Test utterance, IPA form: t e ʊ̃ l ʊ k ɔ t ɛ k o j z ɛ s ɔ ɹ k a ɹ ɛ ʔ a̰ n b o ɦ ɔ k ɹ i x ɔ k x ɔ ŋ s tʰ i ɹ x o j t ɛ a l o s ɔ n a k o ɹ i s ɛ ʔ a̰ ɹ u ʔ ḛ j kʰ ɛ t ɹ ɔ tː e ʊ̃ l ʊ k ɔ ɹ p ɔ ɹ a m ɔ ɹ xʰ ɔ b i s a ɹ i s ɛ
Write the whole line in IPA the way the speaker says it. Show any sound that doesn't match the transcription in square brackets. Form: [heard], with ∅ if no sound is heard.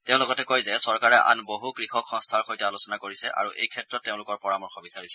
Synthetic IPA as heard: t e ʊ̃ l ʊ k ɔ t ɛ k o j z ɛ s ɔ ɹ k a ɹ ɛ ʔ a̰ n b o ɦ [u] k ɹ i x ɔ k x ɔ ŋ s tʰ [a] ɹ x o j t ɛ a l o s ɔ n a k o ɹ i s ɛ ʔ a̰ ɹ u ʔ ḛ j kʰ ɛ t ɹ ɔ tː e ʊ̃ l ʊ k ɔ ɹ p ɔ ɹ a m ɔ ɹ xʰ ɔ b i s a ɹ i s ɛ